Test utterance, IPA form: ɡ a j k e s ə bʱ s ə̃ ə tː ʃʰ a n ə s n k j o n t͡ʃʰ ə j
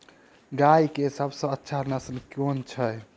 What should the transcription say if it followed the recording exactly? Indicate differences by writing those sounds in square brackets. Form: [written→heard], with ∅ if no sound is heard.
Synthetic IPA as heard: ɡ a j k e s ə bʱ s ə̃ ə tː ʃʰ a n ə s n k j o n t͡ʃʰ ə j